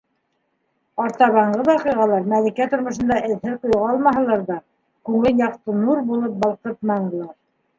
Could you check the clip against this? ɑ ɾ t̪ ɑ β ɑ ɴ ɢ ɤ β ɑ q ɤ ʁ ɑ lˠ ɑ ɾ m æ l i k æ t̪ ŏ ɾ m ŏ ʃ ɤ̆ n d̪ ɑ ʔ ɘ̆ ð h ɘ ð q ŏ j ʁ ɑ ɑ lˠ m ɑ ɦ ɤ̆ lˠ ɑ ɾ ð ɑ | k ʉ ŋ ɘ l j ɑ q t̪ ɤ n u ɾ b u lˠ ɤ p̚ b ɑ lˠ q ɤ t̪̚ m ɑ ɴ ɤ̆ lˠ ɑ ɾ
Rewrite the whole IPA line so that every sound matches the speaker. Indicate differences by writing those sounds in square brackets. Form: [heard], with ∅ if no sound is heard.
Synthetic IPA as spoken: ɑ ɾ t̪ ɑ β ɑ ɴ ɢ ɤ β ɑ q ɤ ʁ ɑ lˠ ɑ ɾ m æ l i k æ t̪ ŏ ɾ m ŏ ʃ ɤ̆ n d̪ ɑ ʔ ɘ̆ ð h ɘ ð q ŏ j ʁ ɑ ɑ lˠ m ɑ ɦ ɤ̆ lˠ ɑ ɾ ð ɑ | k ʉ ŋ ɘ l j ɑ q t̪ ɤ n u ɾ b u lˠ ɤ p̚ b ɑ lˠ q ɤ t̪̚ m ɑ ɴ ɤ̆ lˠ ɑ ɾ